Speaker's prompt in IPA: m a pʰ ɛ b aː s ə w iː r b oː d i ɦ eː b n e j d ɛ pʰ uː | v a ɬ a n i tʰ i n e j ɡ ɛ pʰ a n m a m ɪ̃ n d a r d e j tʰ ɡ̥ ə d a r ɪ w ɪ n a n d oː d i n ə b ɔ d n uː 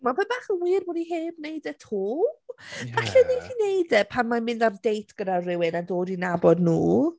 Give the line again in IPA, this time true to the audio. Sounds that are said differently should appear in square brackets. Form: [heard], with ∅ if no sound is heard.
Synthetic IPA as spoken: m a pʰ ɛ b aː [χ] ə w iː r b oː d i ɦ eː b n e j d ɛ [tʰ] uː | v a ɬ [ɛ] n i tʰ i n e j [d] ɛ pʰ a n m a m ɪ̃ n d a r d e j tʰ ɡ̥ ə d a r ɪ w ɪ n a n d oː d i n [a] b ɔ d n uː